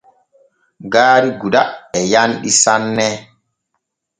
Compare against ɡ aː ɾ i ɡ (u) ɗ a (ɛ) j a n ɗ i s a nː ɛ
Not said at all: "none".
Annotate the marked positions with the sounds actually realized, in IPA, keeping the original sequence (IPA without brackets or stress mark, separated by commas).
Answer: u, ɛ